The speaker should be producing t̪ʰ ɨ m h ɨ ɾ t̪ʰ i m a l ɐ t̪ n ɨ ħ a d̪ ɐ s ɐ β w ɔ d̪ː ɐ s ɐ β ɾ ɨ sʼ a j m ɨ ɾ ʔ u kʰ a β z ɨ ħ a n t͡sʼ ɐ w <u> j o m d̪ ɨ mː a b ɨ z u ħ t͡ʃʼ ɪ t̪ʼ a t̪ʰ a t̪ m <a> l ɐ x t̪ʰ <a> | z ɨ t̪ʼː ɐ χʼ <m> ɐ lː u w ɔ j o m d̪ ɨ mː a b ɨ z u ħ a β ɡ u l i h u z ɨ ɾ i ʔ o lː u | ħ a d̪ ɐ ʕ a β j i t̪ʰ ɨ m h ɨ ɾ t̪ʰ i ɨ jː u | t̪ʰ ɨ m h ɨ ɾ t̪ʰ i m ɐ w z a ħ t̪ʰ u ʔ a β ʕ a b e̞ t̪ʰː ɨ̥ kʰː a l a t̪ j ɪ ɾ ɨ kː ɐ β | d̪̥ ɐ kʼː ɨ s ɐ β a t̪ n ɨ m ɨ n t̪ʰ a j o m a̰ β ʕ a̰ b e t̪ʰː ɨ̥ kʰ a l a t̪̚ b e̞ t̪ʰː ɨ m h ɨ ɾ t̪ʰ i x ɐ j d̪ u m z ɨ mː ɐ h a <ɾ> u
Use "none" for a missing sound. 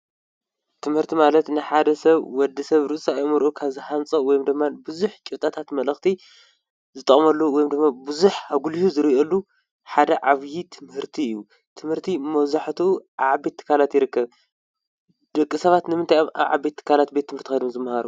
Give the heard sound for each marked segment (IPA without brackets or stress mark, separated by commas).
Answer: ɔ, ɐ, i, m, ɾ